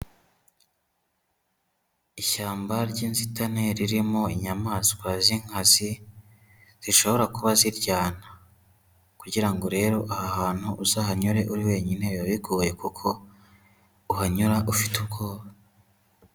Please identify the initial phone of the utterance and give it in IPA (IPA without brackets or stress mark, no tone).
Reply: i